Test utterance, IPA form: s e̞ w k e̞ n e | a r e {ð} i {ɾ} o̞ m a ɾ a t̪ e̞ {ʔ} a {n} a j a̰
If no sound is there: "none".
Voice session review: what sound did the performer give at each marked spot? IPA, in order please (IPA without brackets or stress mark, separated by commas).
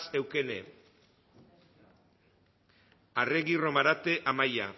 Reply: ɣ, r, ʔ, m